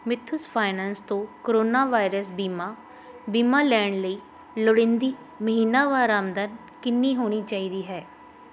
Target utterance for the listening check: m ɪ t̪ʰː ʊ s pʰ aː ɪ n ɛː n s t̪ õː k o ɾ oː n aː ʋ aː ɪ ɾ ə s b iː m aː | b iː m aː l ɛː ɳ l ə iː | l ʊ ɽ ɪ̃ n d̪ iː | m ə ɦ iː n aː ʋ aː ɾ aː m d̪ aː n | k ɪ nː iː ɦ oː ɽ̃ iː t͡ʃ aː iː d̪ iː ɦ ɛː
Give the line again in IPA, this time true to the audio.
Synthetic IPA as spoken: m ɪ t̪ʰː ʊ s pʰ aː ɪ n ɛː n s t̪ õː k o ɾ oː n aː ʋ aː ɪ ɾ ə s b iː m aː | b iː m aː l ɛː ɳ l ə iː | l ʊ ɽ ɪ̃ n d̪ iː | m ə ɦ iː n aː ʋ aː ɾ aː m d̪ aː n | k ɪ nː iː ɦ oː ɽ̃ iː t͡ʃ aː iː d̪ iː ɦ ɛː

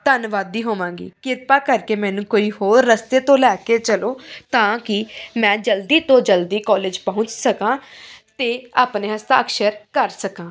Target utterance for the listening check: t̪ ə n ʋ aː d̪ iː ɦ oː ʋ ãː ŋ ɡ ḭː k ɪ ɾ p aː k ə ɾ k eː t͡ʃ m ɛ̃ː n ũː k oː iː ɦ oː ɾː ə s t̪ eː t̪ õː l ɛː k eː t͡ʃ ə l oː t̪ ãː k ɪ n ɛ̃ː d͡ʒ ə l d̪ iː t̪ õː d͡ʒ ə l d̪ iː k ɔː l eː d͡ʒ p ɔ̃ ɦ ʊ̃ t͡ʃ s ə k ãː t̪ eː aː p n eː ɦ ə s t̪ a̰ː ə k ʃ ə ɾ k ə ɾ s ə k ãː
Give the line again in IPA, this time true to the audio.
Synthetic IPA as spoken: t̪ ə n ʋ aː d̪ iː ɦ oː ʋ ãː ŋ ɡ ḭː k ɪ ɾ p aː k ə ɾ k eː m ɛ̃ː n ũː k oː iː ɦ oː ɾː ə s t̪ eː t̪ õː l ɛː k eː t͡ʃ ə l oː t̪ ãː k ɪ m ɛ̃ː d͡ʒ ə l d̪ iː t̪ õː d͡ʒ ə l d̪ iː k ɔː l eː d͡ʒ p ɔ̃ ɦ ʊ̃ t͡ʃ s ə k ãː t̪ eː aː p n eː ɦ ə s t̪ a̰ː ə k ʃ ə ɾ k ə ɾ s ə k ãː

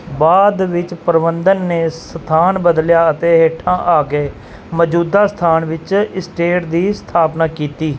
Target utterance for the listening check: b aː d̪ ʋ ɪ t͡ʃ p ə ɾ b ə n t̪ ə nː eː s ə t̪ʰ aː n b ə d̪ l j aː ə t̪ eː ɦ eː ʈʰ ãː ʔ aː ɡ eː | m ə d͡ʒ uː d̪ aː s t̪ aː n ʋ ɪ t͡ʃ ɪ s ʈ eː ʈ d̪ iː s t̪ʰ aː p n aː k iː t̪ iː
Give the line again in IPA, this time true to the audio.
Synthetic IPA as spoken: b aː d̪ ʋ ɪ t͡ʃ p ə ɾ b ə n d̪ ə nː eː s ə t̪ʰ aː n b ə d̪ l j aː ə t̪ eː ɦ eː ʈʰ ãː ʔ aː ɡ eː | m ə d͡ʒ uː d̪ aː s t̪ʰ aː n ʋ ɪ t͡ʃ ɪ s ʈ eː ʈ d̪ iː s t̪ʰ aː p n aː k iː t̪ iː

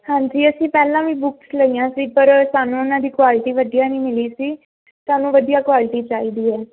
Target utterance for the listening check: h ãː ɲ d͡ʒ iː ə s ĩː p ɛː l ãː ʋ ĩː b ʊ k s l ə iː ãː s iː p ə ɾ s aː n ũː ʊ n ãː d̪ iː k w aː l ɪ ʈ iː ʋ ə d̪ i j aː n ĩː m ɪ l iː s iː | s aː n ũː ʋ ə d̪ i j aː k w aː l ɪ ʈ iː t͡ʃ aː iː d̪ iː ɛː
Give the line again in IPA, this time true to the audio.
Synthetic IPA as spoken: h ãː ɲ d͡ʒ iː ə s ĩː p ɛː l ãː ʋ ĩː b ʊ k s l ə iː ãː s iː p ə ɾ s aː n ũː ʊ n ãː d̪ iː k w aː l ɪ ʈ iː ʋ ə d̪ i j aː n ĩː m ɪ l iː s iː | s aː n ũː ʋ ə d̪ i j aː k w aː l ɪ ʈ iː t͡ʃ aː iː d̪ iː ɛː

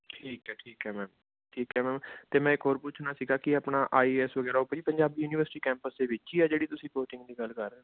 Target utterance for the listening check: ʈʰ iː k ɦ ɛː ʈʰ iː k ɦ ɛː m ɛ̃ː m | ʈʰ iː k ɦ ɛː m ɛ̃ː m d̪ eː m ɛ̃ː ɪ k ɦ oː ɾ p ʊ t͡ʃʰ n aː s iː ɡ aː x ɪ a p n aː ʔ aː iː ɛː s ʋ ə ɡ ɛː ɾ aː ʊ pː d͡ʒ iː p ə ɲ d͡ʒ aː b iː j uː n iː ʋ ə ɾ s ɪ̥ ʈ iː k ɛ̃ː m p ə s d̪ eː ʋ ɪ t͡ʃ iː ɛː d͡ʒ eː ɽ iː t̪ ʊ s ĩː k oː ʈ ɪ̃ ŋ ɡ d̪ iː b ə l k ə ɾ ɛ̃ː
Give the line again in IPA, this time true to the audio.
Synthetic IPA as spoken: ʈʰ iː k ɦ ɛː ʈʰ iː k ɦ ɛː m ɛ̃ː m | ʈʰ iː k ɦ ɛː m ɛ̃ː m t̪ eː m ɛ̃ː ɪ k ɦ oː ɾ p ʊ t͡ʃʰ n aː s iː ɡ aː k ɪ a p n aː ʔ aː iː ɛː s ʋ ə ɡ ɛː ɾ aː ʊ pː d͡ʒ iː p ə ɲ d͡ʒ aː b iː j uː n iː ʋ ə ɾ s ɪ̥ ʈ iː k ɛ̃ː m p ə s d̪ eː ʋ ɪ t͡ʃ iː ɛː d͡ʒ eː ɽ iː t̪ ʊ s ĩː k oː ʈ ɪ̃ ŋ ɡ d̪ iː ɡ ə l k ə ɾ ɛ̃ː

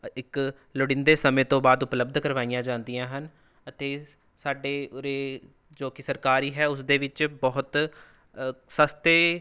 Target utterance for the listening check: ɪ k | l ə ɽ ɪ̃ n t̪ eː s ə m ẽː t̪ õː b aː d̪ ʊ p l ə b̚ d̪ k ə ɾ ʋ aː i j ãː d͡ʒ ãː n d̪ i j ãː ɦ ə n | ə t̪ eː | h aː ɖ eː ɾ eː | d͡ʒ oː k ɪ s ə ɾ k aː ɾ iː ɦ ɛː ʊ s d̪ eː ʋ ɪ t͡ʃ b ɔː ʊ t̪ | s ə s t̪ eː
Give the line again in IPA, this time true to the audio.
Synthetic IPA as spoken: ɪ k | l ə ɽ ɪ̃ n d̪ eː s ə m ẽː t̪ õː b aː d̪ ʊ p l ə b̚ d̪ k ə ɾ ʋ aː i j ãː d͡ʒ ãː n d̪ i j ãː ɦ ə n | ə t̪ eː | s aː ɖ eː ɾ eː | d͡ʒ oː k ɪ s ə ɾ k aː ɾ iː ɦ ɛː ʊ s d̪ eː ʋ ɪ t͡ʃ b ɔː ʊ t̪ | s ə s t̪ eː

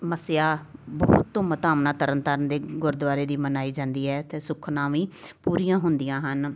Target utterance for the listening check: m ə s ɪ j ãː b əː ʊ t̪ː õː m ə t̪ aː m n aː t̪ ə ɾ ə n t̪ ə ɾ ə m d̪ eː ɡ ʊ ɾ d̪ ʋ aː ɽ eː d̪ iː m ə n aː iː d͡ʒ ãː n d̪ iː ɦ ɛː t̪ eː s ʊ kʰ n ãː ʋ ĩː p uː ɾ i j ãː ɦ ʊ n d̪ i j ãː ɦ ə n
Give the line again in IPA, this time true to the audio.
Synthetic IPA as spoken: m ə s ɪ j aː b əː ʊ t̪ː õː m ə t̪ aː m n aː t̪ ə ɾ ə n t̪ ə ɾ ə n d̪ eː ɡ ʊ ɾ d̪ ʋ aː ɾ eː d̪ iː m ə n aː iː d͡ʒ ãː n d̪ iː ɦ ɛː t̪ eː s ʊ kʰ n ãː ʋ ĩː p uː ɾ i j ãː ɦ ʊ n d̪ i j ãː ɦ ə n

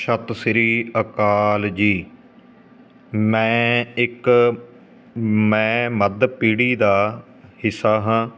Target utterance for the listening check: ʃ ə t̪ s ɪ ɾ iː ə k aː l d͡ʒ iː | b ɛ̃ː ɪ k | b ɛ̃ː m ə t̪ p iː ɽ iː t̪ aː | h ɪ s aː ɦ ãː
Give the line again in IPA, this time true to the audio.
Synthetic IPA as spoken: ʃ ə t̪ s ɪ ɾ iː ə k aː l d͡ʒ iː | m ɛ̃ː ɪ k | m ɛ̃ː m ə d̪ p iː ɽ iː d̪ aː | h ɪ s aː ɦ ãː

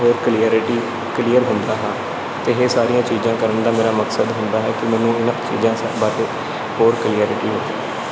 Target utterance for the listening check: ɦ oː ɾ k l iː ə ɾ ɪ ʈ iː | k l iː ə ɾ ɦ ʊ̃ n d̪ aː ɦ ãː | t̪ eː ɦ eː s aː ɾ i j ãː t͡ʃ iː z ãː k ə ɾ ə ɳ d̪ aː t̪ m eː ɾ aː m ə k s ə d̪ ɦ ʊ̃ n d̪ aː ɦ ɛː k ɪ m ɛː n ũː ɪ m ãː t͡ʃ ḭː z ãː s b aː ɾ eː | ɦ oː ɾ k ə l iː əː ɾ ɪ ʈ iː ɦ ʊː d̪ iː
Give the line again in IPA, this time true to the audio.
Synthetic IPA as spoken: ɦ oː ɾ k l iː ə ɾ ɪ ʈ iː | k l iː ə ɾ ɦ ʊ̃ n d̪ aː ɦ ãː | t̪ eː ɦ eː s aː ɾ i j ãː t͡ʃ iː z ãː k ə ɾ ə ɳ d̪ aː m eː ɾ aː m ə k s ə d̪ ɦ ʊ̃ n d̪ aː ɦ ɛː k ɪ m ɛː n ũː ɪ n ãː t͡ʃ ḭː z ãː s b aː ɾ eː | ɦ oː ɾ k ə l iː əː ɾ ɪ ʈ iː ɦ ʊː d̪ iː

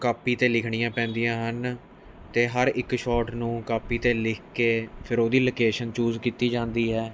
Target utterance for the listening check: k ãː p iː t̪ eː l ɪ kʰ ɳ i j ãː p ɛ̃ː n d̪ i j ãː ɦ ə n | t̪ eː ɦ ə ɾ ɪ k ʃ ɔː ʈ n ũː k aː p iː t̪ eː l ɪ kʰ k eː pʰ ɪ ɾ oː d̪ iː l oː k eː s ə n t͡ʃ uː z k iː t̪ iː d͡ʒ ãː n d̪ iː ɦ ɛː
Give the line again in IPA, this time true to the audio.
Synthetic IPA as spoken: k aː p iː t̪ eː l ɪ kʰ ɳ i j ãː p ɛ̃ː n d̪ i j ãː ɦ ə n | t̪ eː ɦ ə ɾ ɪ k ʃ ɔː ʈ n ũː k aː p iː t̪ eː l ɪ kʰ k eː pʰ ɪ ɾ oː d̪ iː l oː k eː ʃ ə n t͡ʃ uː z k iː t̪ iː d͡ʒ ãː n d̪ iː ɦ ɛː

